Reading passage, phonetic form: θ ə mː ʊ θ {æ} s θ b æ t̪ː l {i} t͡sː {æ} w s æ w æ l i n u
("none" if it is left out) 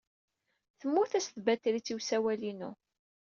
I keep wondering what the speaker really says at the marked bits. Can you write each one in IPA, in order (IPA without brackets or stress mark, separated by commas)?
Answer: æ, i, i